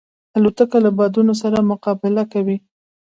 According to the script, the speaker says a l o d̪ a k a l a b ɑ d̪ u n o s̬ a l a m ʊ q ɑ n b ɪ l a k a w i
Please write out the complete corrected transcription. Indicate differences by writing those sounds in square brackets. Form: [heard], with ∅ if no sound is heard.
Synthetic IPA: a l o [t̪] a k a l a b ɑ d̪ u n o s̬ a [ɾ] a m ʊ q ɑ [∅] b ɪ l a k a w i